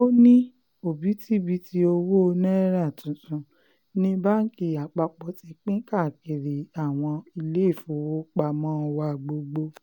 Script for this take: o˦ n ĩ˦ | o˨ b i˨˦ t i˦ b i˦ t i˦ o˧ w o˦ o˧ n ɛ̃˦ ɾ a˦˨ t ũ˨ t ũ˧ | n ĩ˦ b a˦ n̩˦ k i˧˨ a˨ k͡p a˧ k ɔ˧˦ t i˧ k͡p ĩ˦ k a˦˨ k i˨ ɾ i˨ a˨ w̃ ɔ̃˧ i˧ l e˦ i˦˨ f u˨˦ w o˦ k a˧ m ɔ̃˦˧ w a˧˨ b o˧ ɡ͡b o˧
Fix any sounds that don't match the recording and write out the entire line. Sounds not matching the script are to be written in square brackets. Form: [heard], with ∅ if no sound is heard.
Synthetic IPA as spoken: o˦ n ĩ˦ | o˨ b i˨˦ t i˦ b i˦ t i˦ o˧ w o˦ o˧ n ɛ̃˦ ɾ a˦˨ t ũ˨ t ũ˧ | n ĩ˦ b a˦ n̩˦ k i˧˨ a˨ k͡p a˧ [k͡p] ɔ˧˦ t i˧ k͡p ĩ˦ k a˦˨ k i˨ ɾ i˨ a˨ w̃ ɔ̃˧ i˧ l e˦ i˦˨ f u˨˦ w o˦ [k͡p] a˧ m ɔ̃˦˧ w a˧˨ [ɡ͡b] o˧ ɡ͡b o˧